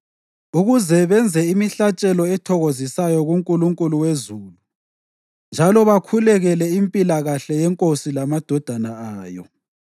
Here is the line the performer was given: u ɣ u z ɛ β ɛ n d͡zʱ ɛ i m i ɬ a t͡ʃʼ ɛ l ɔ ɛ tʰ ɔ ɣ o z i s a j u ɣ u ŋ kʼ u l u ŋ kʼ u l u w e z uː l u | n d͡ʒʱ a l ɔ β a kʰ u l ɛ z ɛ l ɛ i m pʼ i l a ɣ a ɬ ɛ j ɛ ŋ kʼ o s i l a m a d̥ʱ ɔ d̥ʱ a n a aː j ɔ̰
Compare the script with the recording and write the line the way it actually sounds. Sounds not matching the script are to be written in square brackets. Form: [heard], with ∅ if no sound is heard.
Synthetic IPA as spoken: u ɣ u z ɛ β ɛ n d͡zʱ ɛ i m i ɬ a t͡ʃʼ ɛ l ɔ ɛ tʰ ɔ ɣ o z i s a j [ɔ] ɣ u ŋ kʼ u l u ŋ kʼ u l u w e z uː l u | n d͡ʒʱ a l ɔ β a kʰ u l ɛ [ɣ] ɛ l ɛ i m pʼ i l a ɣ a ɬ ɛ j ɛ ŋ kʼ o s i l a m a d̥ʱ ɔ d̥ʱ a n a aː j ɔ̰

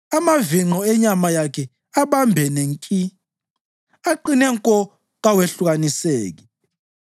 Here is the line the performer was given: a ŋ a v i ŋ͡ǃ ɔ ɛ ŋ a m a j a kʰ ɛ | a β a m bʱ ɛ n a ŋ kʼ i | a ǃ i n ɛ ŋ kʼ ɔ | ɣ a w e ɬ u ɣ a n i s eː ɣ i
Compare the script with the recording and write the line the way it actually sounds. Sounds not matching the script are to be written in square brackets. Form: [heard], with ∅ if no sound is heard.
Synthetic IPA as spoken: a [m] a v i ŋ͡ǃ ɔ ɛ [ɲ] a m a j a kʰ ɛ | a β a m bʱ ɛ n [e] ŋ kʼ i | a ǃ i n ɛ ŋ kʼ ɔ | ɣ a w e ɬ u ɣ a n i s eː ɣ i

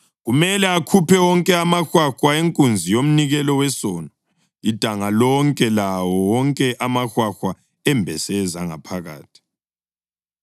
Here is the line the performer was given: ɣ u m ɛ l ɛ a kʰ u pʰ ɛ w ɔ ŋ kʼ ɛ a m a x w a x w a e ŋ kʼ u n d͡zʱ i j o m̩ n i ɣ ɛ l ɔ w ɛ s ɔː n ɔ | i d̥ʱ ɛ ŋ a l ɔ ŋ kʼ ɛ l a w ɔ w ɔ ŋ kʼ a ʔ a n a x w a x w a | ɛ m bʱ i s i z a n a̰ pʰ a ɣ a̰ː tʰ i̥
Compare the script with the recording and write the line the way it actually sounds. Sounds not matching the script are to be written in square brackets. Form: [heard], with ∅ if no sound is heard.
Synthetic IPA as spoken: ɣ u m ɛ l ɛ a kʰ u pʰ ɛ w ɔ ŋ kʼ ɛ a m a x w a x w a e ŋ kʼ u n d͡zʱ i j o m̩ n i ɣ ɛ l ɔ w ɛ s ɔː n ɔ | i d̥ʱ [a] ŋ a l ɔ ŋ kʼ ɛ l a w ɔ w ɔ ŋ kʼ [ɛ] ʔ a [m] a x w a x w a | ɛ m bʱ [ɛ] s [ɛ] z a [ŋ] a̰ pʰ a ɣ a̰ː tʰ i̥

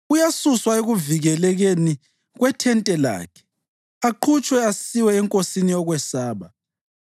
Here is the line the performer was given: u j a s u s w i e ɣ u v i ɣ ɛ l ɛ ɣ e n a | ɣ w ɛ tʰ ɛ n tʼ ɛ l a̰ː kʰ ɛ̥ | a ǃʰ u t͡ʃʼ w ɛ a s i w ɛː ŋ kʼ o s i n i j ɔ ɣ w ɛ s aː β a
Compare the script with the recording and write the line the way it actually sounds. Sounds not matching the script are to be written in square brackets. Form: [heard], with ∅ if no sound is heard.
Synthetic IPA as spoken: u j a s u s w [a] e ɣ u v i ɣ ɛ l ɛ ɣ e n [i] | ɣ w ɛ tʰ ɛ n tʼ ɛ l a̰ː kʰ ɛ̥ | a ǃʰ u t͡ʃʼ w ɛ a s i w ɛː ŋ kʼ o s i n i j ɔ ɣ w ɛ s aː β a

